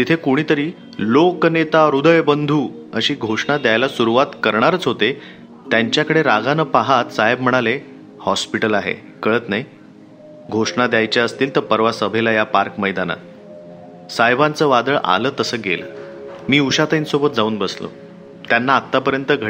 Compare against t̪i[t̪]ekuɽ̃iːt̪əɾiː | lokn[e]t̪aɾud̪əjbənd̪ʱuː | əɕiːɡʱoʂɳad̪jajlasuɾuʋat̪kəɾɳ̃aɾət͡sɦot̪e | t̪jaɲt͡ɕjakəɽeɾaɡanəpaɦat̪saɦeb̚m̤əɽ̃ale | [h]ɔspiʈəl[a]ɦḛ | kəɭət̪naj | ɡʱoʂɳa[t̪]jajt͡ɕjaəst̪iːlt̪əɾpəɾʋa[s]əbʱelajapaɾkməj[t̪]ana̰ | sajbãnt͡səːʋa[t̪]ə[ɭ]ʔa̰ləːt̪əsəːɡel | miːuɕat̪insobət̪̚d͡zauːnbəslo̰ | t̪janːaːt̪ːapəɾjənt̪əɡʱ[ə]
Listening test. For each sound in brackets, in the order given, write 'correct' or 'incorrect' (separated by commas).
incorrect, correct, correct, correct, incorrect, correct, incorrect, incorrect, correct, correct